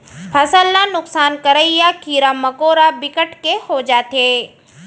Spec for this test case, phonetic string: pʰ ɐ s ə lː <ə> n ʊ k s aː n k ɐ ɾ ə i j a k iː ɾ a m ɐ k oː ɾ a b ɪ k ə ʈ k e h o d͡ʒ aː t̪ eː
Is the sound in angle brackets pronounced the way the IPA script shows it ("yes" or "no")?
no